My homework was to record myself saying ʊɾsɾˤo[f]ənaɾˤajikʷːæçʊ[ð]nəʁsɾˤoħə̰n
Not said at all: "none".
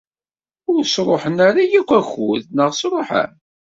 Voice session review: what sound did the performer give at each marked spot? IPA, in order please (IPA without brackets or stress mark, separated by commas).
ħ, ð